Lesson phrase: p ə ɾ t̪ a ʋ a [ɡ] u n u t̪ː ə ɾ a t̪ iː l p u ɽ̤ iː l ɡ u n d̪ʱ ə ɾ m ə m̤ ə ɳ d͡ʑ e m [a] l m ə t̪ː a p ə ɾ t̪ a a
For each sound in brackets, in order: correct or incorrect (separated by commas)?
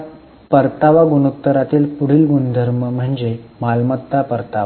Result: correct, correct